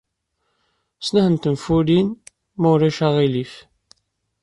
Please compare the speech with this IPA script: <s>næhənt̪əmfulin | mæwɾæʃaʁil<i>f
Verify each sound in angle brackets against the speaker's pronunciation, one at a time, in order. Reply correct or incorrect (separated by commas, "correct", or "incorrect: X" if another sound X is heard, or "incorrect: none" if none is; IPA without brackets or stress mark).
correct, correct